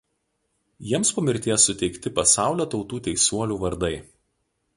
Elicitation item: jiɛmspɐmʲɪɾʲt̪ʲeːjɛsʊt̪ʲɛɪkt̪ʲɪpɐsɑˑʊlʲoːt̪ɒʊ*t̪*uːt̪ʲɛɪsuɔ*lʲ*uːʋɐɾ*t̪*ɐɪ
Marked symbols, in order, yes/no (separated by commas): yes, yes, no